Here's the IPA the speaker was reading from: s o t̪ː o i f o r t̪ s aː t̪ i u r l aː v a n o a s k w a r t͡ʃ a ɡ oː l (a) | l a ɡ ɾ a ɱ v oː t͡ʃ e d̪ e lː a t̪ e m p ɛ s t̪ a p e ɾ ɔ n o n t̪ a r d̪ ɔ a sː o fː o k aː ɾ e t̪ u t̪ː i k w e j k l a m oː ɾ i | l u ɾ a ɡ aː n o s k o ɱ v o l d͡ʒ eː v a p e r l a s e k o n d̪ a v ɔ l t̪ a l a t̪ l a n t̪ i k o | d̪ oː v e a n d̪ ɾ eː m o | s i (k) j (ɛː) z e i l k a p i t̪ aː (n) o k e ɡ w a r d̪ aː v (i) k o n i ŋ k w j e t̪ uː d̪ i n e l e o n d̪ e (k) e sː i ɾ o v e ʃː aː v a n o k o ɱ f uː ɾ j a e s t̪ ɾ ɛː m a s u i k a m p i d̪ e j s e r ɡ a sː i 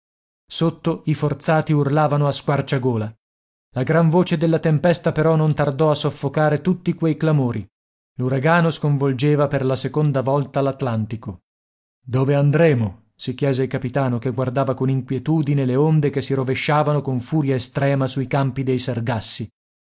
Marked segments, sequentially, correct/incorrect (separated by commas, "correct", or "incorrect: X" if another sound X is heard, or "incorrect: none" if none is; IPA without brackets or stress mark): correct, correct, correct, correct, incorrect: a, correct